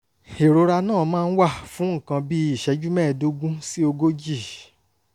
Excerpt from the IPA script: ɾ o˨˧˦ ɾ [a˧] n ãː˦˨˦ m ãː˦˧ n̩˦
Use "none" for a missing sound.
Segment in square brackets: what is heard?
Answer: a˧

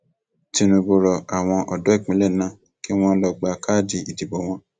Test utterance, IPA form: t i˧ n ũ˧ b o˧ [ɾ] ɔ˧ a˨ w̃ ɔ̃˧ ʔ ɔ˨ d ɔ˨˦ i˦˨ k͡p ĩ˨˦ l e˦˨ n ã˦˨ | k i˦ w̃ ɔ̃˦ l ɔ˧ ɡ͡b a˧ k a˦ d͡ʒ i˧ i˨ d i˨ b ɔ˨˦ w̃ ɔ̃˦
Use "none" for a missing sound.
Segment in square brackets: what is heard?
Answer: ɾ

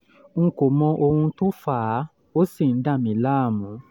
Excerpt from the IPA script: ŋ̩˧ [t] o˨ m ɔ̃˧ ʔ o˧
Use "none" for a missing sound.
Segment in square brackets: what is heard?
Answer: k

